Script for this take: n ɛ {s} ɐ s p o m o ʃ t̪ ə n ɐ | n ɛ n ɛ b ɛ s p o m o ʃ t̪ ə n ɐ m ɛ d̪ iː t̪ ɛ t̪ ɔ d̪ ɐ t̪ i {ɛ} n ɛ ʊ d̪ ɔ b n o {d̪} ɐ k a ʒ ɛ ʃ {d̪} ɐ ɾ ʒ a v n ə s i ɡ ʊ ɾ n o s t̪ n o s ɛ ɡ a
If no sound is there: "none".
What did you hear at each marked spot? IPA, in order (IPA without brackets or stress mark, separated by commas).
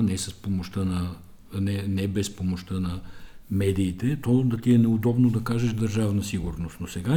s, ɛ, d̪, d̪